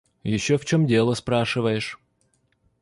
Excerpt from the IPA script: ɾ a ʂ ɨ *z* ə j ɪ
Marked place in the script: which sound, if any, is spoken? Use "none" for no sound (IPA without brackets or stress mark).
v